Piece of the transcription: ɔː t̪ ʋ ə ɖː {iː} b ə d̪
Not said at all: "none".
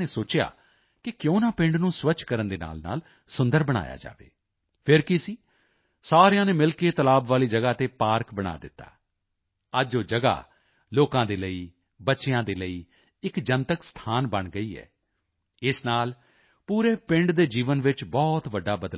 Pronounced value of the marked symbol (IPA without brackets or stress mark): aː